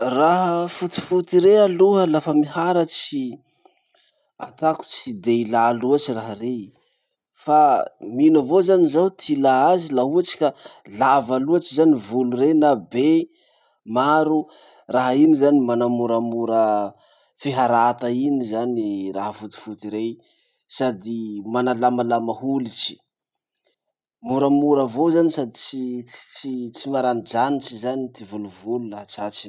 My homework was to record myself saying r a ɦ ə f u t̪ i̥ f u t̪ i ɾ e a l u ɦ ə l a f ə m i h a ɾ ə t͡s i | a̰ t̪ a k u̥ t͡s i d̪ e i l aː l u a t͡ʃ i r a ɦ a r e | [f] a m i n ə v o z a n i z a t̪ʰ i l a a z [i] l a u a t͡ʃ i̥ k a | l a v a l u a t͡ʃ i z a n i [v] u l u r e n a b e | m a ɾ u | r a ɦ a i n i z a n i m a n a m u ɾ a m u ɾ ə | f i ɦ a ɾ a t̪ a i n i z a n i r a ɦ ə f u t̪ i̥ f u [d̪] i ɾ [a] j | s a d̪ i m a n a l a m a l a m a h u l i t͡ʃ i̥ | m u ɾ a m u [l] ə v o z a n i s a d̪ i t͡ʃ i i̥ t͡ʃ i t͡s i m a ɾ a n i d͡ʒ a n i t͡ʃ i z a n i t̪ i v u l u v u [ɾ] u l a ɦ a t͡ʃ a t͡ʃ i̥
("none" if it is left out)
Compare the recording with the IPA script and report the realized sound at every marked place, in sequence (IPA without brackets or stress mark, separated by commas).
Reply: f, i, v, t̪, e, ɾ, l